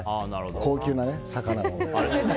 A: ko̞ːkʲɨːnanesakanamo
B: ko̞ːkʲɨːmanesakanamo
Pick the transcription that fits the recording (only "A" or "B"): A